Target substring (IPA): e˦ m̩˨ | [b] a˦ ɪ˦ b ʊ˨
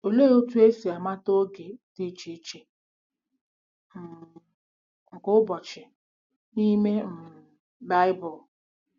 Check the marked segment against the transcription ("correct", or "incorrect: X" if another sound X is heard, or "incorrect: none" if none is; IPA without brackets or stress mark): correct